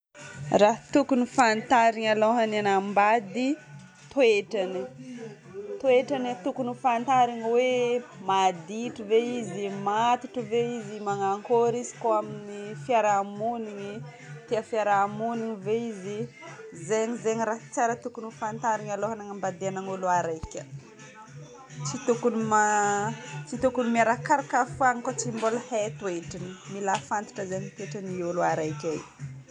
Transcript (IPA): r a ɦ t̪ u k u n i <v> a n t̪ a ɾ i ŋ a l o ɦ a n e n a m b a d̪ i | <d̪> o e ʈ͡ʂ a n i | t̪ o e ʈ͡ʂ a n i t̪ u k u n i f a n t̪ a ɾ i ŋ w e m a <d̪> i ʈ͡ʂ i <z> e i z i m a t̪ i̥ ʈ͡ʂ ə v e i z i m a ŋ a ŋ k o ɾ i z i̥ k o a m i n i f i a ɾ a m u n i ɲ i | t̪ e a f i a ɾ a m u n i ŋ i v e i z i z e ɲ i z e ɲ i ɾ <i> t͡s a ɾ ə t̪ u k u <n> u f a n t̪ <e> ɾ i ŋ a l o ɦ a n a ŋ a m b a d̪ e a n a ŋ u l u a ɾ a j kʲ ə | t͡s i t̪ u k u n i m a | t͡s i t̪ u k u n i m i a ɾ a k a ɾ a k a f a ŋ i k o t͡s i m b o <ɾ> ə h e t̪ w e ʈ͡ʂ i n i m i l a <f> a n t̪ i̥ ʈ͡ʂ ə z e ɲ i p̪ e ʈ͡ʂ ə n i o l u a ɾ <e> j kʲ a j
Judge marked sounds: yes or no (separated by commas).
no, no, yes, no, no, yes, no, no, yes, no